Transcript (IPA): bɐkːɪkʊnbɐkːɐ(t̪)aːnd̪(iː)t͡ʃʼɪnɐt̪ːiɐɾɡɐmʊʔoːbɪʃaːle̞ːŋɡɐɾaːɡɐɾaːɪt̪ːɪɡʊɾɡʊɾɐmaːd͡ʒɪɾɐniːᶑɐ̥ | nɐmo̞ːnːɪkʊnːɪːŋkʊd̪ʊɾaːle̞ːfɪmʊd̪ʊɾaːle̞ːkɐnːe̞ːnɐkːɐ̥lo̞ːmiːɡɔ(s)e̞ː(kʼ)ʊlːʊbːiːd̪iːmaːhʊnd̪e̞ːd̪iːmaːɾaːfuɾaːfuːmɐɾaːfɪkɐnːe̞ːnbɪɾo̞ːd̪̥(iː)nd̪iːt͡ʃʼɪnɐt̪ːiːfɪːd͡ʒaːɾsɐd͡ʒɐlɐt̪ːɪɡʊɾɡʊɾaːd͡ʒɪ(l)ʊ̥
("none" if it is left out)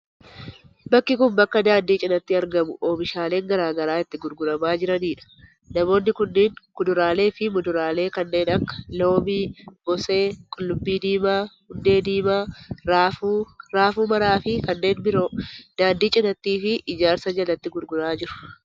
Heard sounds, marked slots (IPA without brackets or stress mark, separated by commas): d̪, iː, s, kʼ, aː, ɾ